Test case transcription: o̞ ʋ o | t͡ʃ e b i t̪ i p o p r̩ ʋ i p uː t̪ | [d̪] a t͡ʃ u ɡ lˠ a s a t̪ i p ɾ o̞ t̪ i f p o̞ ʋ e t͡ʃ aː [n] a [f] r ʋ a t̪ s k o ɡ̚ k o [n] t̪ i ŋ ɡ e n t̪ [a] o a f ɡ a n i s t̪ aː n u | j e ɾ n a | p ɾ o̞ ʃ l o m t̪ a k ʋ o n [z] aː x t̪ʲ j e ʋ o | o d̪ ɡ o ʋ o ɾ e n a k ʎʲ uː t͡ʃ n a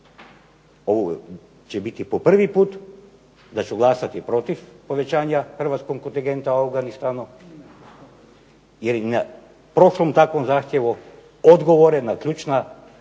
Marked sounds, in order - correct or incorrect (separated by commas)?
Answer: correct, incorrect, incorrect, correct, correct, correct